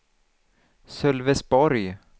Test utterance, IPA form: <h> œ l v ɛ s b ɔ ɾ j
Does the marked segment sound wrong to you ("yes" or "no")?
yes